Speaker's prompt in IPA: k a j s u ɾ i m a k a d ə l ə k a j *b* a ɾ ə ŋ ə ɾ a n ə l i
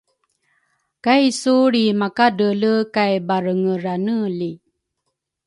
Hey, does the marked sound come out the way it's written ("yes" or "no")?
yes